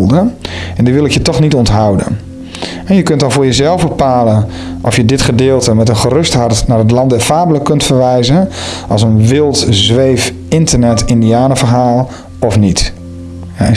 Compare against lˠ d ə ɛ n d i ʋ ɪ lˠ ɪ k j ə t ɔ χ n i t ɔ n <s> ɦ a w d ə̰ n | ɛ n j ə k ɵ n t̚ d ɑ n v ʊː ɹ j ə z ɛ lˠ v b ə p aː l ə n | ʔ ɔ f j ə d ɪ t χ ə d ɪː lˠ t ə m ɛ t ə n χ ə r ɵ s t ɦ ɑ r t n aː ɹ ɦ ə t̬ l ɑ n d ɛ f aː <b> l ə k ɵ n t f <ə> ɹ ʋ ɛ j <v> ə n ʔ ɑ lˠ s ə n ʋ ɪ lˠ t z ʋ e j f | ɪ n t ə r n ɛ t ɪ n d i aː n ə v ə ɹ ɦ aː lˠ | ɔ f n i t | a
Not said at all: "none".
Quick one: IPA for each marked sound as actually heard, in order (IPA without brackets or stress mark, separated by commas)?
t, b, ə, z